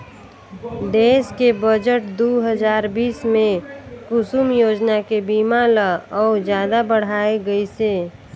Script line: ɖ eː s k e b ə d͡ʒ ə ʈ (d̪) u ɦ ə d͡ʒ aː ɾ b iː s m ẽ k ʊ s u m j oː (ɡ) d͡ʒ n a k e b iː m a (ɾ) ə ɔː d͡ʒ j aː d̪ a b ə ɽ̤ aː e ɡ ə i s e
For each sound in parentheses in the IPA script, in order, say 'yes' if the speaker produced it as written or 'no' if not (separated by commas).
yes, no, no